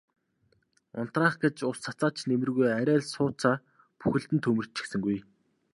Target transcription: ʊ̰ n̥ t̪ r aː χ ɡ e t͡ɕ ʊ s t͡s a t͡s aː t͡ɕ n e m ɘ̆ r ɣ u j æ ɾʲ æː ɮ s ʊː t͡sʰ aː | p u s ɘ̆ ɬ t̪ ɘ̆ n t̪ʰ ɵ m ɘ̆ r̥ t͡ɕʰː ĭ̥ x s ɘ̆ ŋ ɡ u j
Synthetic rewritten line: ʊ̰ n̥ t̪ r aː χ ɡ e t͡ɕ ʊ s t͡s a t͡s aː t͡ɕ n e m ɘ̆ r ɣ u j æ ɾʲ æː ɮ s ʊː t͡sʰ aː | p u x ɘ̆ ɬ t̪ ɘ̆ n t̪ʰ ɵ m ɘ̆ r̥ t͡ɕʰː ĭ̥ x s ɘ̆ ŋ ɡ u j

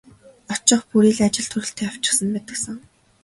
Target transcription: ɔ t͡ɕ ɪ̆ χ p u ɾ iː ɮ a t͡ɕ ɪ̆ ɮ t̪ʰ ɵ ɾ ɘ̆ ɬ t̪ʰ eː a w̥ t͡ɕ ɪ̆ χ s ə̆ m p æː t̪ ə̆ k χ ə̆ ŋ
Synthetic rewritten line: ɔ t͡ɕ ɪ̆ χ p u ɾ iː ɮ a t͡ɕ ɪ̆ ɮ t̪ʰ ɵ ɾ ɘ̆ ɬ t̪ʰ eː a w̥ t͡ɕ ɪ̆ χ s ə̆ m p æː t̪ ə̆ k s ə̆ ŋ

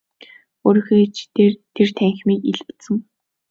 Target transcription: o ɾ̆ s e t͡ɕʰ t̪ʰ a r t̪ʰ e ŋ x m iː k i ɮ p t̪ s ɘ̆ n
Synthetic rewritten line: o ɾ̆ x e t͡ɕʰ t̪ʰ e r t̪ʰ æ ŋ x m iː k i ɮ p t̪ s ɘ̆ ŋ

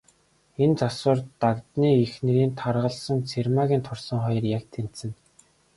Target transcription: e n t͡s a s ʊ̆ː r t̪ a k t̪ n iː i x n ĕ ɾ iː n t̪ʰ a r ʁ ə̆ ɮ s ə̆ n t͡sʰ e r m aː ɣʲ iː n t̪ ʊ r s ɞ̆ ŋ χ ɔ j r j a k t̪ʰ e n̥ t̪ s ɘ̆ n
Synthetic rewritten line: e n t͡s a s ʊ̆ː r t̪ a k t̪ n iː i x n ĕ ɾ iː n t̪ʰ a r ʁ ə̆ ɮ s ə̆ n t͡sʰ e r m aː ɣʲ iː n t̪ʰ ʊ r s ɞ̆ ŋ χ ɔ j r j a k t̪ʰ e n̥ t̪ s ɘ̆ n

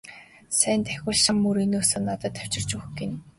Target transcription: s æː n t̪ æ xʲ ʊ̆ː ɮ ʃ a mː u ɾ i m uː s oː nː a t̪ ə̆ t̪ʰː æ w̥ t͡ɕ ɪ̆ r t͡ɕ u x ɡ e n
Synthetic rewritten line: s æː n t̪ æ xʲ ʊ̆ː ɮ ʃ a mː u ɾ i n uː s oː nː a t̪ ə̆ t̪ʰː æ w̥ t͡ɕ ɪ̆ r t͡ɕ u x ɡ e n

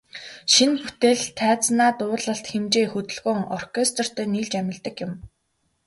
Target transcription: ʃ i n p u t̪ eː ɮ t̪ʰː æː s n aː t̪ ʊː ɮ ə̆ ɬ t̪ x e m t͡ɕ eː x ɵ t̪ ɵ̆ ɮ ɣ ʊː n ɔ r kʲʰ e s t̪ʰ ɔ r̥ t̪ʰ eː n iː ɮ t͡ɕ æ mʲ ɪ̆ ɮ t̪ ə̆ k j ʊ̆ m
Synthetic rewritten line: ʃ i n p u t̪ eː ɮ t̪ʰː æː t͡s n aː t̪ ʊː ɮ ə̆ ɬ t̪ x e m t͡ɕ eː x ɵ t̪ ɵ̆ ɮ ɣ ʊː ŋ ɔ r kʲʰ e s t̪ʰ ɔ r̥ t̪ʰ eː n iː ɮ t͡ɕ æ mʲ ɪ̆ ɮ t̪ ə̆ k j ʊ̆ m

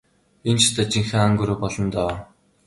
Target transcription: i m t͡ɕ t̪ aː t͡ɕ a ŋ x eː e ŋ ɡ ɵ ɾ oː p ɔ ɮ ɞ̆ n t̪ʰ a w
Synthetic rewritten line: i n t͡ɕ t̪ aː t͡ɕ i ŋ x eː a ŋ ɡ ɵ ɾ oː p ɔ ɮ ɞ̆ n t̪ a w

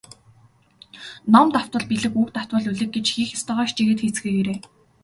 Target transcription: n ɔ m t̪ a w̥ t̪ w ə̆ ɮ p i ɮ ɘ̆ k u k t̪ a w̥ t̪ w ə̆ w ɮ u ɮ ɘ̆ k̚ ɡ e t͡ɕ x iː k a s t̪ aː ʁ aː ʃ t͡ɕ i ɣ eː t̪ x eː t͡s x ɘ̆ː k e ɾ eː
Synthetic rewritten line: n ɔ m t̪ a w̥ t̪ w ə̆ ɮ p i ɮ ɘ̆ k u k t̪ a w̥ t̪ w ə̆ ɮ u ɮ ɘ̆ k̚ ɡ e t͡ɕ x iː x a s t̪ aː ʁ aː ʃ t͡ɕ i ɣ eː t̪ x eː t͡s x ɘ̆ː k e ɾ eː

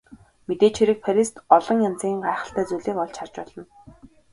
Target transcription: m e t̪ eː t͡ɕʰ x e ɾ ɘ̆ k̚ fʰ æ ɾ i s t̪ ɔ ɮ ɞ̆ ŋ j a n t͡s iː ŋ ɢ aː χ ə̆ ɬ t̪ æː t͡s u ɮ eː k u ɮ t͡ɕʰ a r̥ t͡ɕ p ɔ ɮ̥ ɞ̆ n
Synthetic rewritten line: m e t̪ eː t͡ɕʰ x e ɾ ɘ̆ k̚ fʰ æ ɾ i s t̪ ɔ ɮ ɞ̆ ŋ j a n t͡s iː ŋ ɢ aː χ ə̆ ɬ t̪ æː t͡s u ɮ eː k ɔ ɮ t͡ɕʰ a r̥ t͡ɕ p ɔ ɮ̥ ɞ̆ n

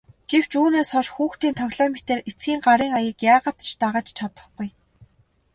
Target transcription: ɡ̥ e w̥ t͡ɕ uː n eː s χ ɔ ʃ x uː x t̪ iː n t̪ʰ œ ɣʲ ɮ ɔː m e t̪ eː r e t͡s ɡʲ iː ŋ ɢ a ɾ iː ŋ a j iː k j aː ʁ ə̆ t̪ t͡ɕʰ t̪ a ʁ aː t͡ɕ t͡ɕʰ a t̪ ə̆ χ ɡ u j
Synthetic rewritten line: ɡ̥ e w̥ t͡ɕ uː n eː s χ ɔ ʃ x uː x t̪ iː n t̪ʰ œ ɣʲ ɮ ɔː m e t̪ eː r e t͡s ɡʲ iː ŋ ɢ a ɾ iː ŋ a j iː k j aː ʁ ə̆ t̪ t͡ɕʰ t̪ a ʁ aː t͡ɕ t͡ɕʰ a t̪ ə̆ χ ɡ u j

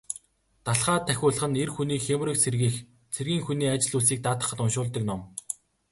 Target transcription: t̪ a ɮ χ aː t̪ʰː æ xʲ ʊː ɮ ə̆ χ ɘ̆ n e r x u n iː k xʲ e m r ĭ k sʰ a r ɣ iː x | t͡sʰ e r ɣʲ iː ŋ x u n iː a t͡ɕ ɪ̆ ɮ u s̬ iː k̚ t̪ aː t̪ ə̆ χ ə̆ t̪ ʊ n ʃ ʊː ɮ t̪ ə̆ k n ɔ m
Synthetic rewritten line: t̪ a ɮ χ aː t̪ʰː æ xʲ ʊː ɮ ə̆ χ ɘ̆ n e r x u n iː k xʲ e m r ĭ k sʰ e r ɣ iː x | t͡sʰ e r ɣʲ iː ŋ x u n iː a t͡ɕ ɪ̆ ɮ u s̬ iː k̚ t̪ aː t̪ ə̆ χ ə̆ t̪ ʊ n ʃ ʊː ɮ t̪ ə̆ k n ɔ m

